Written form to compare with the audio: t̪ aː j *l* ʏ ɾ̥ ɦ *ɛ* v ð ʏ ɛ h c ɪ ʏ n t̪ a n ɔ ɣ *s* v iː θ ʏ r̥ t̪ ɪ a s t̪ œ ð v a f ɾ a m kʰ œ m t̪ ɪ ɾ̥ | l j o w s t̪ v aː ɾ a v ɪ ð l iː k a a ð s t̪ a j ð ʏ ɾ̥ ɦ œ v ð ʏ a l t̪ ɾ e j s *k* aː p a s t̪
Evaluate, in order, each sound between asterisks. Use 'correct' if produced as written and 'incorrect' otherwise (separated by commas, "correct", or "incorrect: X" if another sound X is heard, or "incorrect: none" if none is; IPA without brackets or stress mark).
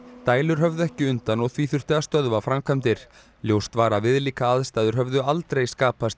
correct, incorrect: œ, incorrect: θ, correct